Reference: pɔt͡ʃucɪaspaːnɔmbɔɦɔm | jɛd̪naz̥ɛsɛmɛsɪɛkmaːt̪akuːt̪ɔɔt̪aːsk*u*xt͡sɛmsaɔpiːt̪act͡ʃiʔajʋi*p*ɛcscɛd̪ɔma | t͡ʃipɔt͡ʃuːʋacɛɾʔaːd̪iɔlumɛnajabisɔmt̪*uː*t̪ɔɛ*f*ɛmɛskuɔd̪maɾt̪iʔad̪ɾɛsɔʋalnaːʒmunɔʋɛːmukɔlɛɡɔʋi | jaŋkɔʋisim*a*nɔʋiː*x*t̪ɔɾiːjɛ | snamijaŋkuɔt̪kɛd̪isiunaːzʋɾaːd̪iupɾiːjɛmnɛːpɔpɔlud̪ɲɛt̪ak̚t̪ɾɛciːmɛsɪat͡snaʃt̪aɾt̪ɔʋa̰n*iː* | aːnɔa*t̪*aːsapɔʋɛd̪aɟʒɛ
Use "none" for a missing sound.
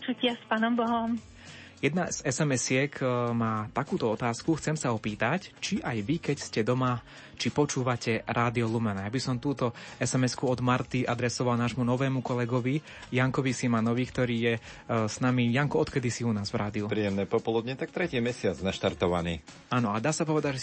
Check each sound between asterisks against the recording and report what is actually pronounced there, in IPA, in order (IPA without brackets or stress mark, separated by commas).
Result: u, k, uː, s, a, k, iː, d̪